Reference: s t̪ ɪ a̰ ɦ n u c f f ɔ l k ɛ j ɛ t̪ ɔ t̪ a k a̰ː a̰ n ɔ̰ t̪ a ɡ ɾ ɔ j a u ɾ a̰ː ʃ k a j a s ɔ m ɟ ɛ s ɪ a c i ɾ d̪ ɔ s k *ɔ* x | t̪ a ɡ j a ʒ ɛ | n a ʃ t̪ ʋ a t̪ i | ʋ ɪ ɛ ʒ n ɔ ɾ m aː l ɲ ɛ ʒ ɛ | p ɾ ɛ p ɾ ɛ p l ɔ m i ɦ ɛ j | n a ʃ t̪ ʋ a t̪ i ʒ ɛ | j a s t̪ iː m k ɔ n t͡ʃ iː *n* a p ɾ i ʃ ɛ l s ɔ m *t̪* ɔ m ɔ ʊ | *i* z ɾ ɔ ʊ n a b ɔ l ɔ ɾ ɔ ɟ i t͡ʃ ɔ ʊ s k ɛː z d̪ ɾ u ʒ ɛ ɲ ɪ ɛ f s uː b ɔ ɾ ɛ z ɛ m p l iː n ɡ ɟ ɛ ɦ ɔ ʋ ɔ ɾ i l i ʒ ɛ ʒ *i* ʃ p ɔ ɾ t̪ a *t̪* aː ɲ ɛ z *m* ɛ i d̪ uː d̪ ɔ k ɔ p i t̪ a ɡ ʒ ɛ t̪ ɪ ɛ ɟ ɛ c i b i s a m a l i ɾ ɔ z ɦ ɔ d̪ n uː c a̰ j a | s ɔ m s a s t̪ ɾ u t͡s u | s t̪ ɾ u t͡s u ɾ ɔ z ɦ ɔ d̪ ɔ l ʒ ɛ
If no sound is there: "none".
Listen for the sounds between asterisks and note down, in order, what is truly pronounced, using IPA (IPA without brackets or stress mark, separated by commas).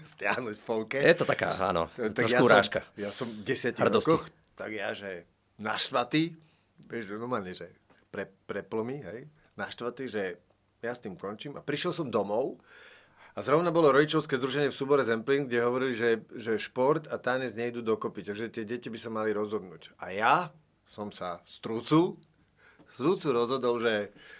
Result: ɔ, m, d̪, a, ɛ, t̪, ɲ